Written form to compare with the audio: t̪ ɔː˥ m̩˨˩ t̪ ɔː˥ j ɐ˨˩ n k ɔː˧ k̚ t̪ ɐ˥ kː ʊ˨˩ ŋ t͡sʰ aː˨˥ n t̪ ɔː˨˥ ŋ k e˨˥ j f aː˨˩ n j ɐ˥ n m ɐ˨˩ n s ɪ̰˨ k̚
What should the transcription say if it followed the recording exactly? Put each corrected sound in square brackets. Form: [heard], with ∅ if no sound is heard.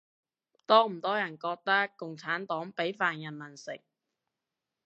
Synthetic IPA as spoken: t̪ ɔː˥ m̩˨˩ t̪ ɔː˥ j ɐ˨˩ n k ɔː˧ k̚ t̪ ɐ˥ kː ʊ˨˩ ŋ t͡sʰ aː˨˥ n t̪ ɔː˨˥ ŋ [p] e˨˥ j f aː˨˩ n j [ɐ˨˩] n m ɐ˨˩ n s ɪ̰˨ k̚